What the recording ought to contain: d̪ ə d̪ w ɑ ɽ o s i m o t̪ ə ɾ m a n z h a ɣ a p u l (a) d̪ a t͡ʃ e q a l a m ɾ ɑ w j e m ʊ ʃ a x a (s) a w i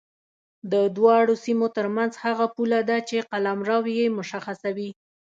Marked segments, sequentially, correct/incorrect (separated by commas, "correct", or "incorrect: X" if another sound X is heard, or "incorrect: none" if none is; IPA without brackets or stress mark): correct, correct